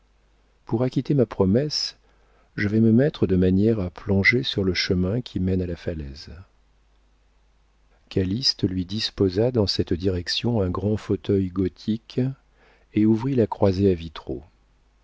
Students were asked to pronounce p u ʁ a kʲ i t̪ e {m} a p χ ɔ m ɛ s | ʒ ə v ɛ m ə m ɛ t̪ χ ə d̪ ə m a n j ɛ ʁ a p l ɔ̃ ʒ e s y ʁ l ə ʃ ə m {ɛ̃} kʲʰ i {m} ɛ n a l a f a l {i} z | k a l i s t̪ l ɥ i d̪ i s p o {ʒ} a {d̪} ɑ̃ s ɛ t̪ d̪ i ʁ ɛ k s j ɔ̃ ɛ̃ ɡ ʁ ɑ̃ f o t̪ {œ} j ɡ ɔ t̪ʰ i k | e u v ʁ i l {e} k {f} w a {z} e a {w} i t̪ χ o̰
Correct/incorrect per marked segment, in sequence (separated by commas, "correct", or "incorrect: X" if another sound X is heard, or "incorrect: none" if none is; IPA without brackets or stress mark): correct, correct, correct, incorrect: ɛ, incorrect: z, correct, correct, incorrect: a, incorrect: χ, correct, incorrect: v